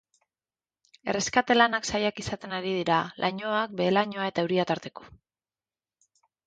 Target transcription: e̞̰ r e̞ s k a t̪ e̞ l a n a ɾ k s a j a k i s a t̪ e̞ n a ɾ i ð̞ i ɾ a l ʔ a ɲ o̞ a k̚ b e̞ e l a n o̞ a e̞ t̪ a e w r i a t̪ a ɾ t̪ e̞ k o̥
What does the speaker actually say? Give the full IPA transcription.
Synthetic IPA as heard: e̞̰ r e̞ s k a t̪ e̞ l a n a k s a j a k i s a t̪ e̞ n a ɾ i ð̞ i ɾ a l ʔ a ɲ o̞ a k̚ b e̞ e l a ɲ o̞ a e̞ t̪ a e w ɾ i a t̪ a ɾ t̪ e̞ k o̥